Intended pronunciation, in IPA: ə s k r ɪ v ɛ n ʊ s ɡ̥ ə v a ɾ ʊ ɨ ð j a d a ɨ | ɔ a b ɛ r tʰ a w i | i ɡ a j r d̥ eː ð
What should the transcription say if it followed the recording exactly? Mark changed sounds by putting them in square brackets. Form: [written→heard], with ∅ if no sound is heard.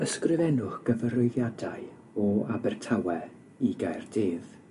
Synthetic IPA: ə s k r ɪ v ɛ n ʊ [s→χ] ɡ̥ ə v [a→ə] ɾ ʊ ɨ ð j a d a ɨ | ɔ a b ɛ r tʰ a w [i→ɛ] | i ɡ a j r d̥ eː ð